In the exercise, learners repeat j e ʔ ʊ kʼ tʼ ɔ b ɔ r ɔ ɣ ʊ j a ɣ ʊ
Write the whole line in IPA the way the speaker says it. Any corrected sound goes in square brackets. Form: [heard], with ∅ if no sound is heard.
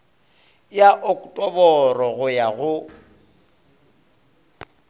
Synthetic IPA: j [a] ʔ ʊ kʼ tʼ ɔ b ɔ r ɔ ɣ ʊ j a ɣ ʊ